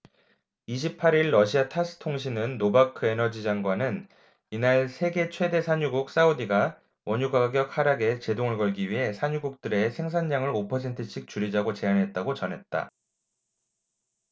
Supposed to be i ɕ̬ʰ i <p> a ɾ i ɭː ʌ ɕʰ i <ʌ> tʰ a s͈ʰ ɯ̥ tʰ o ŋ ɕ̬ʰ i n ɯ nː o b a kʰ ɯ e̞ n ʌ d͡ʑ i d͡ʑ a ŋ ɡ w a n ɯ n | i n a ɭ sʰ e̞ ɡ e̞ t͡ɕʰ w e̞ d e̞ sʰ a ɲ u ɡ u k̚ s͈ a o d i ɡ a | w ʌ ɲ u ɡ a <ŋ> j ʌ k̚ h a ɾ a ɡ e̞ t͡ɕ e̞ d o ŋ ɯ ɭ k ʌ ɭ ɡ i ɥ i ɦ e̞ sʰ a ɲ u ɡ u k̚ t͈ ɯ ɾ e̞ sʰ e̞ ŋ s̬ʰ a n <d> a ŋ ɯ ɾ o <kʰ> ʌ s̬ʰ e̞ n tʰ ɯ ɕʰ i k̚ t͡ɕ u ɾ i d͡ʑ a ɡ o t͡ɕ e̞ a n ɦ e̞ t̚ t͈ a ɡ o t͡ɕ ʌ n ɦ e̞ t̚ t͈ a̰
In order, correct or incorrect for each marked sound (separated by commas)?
incorrect, incorrect, incorrect, incorrect, incorrect